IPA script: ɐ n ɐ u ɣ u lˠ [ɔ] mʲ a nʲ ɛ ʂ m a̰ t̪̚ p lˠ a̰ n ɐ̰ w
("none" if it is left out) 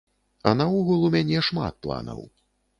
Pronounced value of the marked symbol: u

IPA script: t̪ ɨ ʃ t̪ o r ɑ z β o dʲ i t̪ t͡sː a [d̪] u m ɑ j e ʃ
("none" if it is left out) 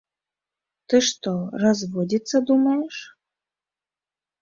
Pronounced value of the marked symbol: d̪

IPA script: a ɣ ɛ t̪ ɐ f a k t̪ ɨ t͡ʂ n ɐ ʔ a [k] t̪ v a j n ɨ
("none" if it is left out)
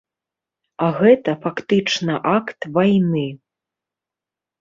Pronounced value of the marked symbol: k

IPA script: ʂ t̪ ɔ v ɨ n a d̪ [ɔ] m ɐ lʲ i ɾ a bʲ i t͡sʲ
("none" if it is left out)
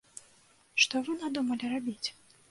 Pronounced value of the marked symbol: u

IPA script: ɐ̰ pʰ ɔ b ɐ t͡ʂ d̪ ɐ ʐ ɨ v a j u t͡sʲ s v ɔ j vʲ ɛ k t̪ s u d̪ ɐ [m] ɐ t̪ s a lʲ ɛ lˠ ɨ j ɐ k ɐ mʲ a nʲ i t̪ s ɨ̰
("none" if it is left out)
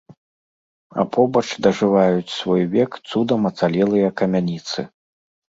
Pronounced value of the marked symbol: m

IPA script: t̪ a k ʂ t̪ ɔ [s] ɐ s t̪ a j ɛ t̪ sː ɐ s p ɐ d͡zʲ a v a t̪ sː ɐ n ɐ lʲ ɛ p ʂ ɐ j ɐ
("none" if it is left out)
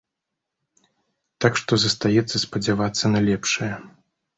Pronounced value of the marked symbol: z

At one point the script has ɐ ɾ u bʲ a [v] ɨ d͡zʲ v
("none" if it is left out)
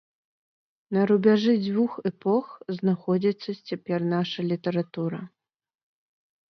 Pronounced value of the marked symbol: ʐ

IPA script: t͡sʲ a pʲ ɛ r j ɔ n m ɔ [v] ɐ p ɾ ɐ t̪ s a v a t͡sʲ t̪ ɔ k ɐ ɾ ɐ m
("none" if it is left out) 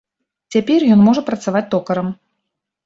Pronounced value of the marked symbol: ʐ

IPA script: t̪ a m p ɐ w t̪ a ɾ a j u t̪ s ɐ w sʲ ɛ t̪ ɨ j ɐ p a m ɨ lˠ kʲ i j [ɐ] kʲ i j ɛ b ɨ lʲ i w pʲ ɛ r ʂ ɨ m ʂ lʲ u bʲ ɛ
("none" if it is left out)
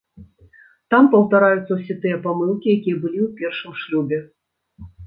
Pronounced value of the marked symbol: a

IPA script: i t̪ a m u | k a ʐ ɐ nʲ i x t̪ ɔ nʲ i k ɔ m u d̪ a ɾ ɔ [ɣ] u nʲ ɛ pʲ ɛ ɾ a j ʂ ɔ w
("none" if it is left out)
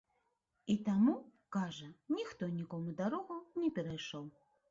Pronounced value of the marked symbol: ɣ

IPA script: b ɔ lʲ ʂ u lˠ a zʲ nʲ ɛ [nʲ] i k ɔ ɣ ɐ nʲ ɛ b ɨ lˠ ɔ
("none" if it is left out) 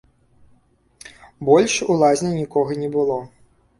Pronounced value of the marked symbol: nʲ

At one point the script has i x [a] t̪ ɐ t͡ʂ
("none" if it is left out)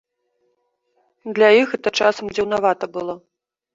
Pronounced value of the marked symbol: ɛ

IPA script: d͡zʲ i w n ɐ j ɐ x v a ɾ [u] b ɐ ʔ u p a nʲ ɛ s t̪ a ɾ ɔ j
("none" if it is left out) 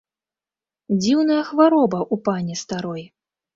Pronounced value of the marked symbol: ɔ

